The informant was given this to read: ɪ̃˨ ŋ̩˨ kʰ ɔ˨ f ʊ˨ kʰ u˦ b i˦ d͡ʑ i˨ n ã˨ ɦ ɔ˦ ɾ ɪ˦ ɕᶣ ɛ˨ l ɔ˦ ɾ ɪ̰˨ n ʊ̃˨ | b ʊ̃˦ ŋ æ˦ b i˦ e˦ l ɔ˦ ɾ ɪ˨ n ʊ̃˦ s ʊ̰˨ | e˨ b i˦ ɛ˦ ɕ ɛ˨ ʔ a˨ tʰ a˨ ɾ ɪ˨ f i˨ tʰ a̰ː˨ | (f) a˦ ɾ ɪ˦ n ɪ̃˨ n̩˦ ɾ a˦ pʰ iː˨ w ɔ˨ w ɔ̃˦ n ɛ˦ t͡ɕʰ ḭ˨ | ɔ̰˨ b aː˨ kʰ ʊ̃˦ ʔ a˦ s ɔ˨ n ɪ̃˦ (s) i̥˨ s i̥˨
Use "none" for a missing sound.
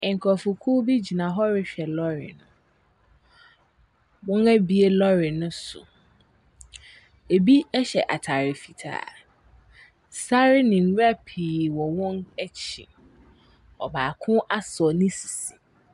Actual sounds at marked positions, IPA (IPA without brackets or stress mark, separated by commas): s, s